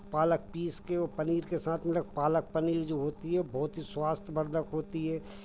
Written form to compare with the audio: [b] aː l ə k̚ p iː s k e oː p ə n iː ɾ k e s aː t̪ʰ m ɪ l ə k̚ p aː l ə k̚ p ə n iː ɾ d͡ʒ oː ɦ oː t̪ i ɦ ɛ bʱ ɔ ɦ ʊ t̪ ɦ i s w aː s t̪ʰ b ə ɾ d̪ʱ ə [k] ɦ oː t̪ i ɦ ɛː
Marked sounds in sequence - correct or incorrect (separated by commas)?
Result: incorrect, correct